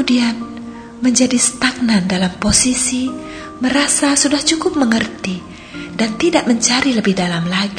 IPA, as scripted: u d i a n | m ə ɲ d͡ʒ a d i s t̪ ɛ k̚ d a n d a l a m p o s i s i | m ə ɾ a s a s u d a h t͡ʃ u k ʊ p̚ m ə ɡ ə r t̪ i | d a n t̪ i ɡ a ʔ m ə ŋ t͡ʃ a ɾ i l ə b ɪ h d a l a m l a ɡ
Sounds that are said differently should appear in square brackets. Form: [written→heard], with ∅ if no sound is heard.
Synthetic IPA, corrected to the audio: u d i a n | m ə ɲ d͡ʒ a d i s t̪ [ɛ→a] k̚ [d→n] a n d a l a m p o s i s i | m ə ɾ a s a s u d a h t͡ʃ u k ʊ p̚ m ə [ɡ→ŋ] ə r t̪ i | d a n t̪ i [ɡ→d] a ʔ m ə [ŋ→ɲ] t͡ʃ a ɾ i l ə b ɪ h d a l a m l a ɡ